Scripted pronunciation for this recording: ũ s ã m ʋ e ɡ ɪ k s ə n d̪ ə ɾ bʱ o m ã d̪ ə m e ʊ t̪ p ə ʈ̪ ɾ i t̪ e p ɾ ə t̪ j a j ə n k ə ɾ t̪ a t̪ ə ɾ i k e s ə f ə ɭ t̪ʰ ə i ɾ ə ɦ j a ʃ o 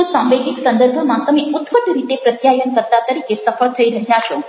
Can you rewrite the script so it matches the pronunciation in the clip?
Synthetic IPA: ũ s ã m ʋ e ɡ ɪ k s ə n d̪ ə ɾ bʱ o m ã t̪ ə m e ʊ t̪ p ə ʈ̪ ɾ i t̪ e p ɾ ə t̪ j a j ə n k ə ɾ t̪ a t̪ ə ɾ i k e s ə f ə ɭ t̪ʰ ə i ɾ ə ɦ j a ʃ o